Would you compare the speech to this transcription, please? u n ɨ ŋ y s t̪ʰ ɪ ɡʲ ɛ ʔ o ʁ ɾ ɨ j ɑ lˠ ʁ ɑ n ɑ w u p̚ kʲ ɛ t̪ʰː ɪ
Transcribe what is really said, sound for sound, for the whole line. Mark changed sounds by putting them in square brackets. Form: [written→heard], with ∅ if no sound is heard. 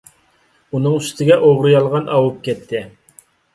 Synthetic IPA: u n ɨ ŋ y s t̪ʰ ɪ ɡʲ ɛ ʔ o ʁ ɾ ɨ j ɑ lˠ ʁ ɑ n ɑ w u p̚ kʲ ɛ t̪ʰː ɪ